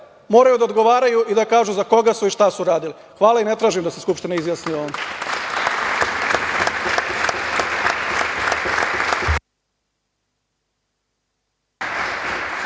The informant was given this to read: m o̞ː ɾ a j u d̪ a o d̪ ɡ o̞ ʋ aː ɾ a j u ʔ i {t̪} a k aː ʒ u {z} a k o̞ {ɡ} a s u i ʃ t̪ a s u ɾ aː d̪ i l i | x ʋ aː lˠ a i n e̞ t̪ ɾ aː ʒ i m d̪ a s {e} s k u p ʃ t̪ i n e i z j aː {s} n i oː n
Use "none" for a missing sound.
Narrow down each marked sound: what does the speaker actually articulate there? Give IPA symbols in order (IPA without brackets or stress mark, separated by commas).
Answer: d̪, z, ɡ, e, s